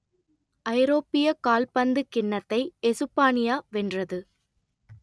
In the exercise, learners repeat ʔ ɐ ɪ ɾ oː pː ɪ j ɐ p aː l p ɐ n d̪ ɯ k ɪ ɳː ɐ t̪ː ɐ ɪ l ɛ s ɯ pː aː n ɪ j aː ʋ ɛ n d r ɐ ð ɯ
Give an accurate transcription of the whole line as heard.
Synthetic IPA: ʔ ɐ ɪ ɾ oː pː ɪ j ɐ k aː l p ɐ n d̪ ɯ k ɪ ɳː ɐ t̪ː ɐ ɪ ɛ s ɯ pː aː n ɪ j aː ʋ ɛ n d r ɐ ð ɯ